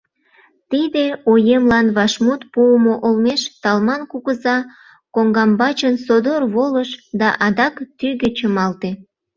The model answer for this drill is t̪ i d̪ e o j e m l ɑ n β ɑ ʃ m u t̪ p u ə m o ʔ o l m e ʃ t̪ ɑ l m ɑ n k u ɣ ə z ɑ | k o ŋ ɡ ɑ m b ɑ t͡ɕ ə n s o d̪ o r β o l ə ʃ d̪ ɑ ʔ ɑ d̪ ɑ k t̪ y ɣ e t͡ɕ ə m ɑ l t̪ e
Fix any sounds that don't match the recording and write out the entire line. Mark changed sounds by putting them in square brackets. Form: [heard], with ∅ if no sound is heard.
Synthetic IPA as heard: t̪ i d̪ e o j e m l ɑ n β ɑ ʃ m u t̪ p u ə m o ʔ o l m e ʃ t̪ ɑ l m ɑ n k u ɣ ə z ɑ | k o ŋ ɡ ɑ m b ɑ t͡ɕ ə n s o d̪ o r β o l ə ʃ d̪ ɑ ʔ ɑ d̪ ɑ k t̪ y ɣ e t͡ɕ ə m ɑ l t̪ e